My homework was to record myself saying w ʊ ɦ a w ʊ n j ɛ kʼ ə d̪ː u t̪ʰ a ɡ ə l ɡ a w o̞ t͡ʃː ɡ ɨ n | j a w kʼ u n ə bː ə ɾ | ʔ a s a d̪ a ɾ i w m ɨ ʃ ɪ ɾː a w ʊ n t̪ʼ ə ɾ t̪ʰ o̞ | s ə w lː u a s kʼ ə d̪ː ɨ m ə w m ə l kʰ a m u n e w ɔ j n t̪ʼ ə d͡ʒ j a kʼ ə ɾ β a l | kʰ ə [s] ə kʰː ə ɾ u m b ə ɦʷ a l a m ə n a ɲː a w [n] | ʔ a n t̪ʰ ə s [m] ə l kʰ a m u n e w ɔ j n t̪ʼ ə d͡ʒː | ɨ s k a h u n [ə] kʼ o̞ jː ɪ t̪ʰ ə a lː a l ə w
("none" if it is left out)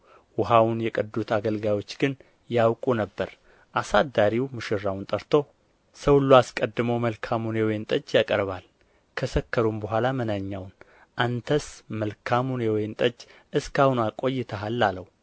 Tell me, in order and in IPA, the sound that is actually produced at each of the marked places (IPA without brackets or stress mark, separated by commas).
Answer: s, n, m, a